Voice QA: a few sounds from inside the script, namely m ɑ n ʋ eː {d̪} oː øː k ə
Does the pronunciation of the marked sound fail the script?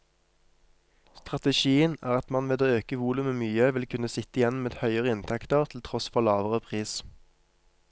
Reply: no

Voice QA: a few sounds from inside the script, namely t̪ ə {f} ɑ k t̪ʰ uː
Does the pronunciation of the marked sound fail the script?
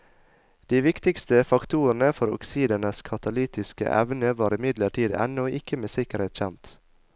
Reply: no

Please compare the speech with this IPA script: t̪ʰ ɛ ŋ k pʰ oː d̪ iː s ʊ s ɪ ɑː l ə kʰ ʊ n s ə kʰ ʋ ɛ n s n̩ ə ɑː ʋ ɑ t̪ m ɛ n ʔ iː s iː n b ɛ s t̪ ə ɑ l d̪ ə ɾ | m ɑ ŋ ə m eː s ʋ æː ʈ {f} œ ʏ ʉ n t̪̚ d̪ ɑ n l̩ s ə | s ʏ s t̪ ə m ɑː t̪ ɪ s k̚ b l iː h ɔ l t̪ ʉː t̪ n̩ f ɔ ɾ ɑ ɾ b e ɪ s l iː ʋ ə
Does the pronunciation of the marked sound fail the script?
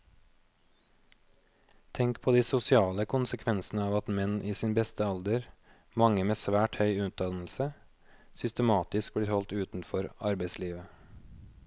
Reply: yes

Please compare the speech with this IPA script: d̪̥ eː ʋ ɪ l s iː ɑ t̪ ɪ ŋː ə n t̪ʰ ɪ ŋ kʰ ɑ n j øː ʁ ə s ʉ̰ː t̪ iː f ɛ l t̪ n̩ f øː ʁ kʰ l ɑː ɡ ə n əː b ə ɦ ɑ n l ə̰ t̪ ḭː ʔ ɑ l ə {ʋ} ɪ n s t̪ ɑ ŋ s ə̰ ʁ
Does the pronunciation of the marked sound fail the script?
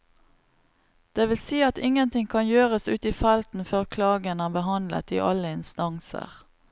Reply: yes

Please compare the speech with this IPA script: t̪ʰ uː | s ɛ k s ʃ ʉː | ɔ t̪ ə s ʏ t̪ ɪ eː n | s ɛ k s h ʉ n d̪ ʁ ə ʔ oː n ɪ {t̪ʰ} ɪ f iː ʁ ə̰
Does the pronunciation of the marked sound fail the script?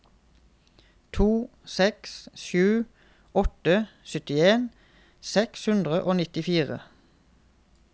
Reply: yes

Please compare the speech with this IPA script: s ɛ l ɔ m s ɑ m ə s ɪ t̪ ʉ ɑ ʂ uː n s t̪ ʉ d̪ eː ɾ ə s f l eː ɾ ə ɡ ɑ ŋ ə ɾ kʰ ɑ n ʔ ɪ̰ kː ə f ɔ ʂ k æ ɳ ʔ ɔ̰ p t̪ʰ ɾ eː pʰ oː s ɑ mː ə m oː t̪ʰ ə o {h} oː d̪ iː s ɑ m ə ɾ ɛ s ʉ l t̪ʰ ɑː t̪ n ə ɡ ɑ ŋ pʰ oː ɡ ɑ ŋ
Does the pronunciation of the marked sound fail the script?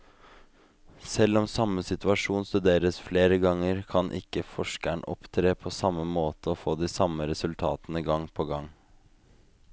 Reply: yes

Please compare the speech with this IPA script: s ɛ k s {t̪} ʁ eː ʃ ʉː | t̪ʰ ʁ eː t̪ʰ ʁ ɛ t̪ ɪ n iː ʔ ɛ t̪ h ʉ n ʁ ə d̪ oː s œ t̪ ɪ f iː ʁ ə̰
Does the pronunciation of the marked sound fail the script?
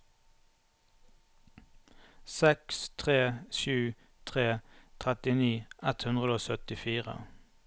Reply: yes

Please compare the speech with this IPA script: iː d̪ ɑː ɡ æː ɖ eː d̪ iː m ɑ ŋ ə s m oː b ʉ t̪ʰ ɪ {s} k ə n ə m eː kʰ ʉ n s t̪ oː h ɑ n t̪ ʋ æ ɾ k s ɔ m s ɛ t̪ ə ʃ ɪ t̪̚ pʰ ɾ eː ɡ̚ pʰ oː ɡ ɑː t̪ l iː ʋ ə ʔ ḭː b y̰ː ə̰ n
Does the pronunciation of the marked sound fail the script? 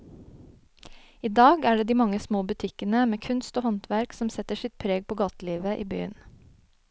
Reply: yes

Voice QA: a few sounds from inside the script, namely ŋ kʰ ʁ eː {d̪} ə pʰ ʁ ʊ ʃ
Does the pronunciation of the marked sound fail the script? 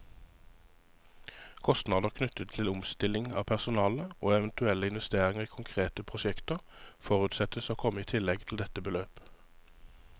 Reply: yes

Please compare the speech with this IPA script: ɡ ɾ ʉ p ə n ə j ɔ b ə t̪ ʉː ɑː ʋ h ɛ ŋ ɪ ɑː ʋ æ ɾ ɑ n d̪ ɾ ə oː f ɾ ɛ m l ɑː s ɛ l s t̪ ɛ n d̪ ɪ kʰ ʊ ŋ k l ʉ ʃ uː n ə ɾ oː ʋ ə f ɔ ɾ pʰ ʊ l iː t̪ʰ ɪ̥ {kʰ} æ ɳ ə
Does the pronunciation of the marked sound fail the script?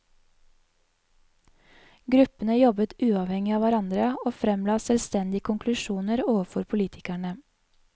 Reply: yes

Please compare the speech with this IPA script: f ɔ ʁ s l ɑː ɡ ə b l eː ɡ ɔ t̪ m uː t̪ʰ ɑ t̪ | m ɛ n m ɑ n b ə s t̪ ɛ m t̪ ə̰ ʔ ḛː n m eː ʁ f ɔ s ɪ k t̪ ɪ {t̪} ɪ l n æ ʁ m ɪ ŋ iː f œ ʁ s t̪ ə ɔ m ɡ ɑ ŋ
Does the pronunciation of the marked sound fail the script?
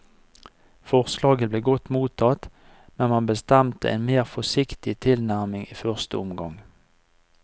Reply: yes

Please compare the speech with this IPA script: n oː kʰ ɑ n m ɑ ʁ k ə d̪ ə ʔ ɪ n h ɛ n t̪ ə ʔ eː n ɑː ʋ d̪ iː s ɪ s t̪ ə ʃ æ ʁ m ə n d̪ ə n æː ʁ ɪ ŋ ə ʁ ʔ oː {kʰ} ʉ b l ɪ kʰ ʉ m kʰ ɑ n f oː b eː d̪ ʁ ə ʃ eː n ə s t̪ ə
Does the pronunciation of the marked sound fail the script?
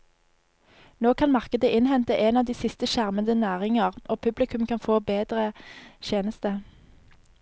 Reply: yes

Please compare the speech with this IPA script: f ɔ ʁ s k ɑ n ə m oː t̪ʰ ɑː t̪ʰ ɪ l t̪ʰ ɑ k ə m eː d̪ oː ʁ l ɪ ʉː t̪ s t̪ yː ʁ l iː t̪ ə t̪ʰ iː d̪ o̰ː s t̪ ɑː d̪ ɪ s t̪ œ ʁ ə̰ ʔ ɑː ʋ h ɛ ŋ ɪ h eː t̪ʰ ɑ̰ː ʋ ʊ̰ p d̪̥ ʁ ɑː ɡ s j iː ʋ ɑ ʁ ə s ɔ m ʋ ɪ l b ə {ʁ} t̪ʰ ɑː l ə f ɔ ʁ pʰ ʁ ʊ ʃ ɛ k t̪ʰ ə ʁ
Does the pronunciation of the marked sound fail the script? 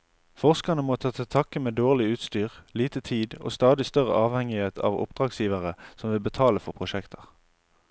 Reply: yes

